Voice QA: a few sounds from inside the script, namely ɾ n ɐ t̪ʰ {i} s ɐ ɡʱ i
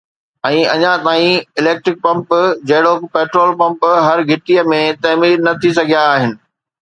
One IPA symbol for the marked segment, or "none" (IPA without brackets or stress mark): i